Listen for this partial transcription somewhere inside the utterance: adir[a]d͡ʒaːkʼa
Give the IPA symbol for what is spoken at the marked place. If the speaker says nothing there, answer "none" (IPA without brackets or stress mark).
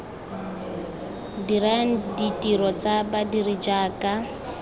i